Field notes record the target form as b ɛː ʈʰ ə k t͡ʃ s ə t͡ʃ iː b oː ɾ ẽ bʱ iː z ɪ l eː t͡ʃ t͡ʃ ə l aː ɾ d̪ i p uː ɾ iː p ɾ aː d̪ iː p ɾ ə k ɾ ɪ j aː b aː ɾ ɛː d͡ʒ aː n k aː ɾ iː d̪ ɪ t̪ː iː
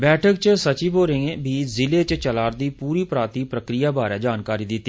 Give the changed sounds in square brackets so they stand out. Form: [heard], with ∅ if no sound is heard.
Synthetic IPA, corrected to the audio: b ɛː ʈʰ ə k t͡ʃ s ə t͡ʃ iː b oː ɾ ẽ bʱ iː z ɪ l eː t͡ʃ t͡ʃ ə l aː ɾ d̪ [iː] p uː ɾ iː p ɾ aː [t̪] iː p ɾ ə k ɾ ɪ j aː b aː ɾ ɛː d͡ʒ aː n k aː ɾ iː d̪ ɪ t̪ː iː